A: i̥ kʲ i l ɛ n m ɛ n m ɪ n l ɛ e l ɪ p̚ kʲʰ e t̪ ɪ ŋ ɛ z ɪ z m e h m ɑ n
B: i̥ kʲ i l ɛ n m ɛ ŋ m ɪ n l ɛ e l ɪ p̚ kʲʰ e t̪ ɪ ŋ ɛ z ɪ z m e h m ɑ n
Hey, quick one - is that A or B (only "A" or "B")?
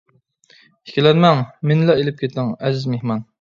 B